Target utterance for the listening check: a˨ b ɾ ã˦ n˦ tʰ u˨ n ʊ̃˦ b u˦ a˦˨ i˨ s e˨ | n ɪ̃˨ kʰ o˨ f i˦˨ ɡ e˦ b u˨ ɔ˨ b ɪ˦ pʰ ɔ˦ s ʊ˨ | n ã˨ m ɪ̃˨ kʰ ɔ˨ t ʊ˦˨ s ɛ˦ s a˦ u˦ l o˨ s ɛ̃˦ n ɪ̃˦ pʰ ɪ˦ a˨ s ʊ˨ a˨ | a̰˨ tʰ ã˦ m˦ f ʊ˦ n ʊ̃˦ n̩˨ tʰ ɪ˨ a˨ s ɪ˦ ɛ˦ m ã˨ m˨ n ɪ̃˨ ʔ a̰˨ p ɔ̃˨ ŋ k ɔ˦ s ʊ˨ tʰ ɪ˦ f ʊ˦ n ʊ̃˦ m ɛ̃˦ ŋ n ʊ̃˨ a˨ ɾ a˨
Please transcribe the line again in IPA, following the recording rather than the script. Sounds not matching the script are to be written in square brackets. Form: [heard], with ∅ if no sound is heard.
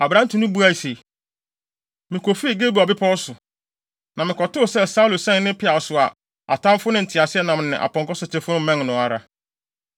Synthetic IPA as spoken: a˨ b ɾ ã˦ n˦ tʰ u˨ n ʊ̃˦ b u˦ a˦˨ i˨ s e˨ | [m] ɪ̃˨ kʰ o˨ f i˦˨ ɡ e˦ b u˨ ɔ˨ b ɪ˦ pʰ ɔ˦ s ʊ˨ | n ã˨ m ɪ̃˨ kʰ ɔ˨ t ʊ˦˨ s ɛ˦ s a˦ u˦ l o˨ s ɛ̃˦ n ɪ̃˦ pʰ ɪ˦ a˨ s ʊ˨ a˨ | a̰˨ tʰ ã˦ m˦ f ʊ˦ n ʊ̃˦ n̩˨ tʰ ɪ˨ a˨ s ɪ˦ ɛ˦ [n] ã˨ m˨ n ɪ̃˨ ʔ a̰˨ p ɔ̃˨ ŋ k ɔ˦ s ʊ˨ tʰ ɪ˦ f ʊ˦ n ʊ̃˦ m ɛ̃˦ ŋ n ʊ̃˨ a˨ ɾ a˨